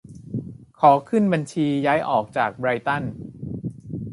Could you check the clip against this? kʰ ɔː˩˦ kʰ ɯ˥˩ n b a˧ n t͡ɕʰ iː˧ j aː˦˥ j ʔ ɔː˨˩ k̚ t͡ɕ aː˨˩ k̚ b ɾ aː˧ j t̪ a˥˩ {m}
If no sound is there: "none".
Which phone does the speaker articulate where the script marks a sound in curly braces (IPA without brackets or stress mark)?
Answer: n